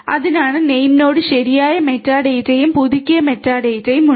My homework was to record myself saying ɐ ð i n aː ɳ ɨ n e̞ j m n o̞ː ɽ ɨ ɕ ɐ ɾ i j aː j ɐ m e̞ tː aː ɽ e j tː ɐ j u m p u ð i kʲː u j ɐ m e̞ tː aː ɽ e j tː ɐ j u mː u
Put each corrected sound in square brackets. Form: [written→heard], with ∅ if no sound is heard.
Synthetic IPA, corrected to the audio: ɐ ð i n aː ɳ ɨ n e̞ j m n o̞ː ɽ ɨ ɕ ɐ ɾ i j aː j ɐ m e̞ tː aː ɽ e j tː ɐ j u m p u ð i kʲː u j ɐ m e̞ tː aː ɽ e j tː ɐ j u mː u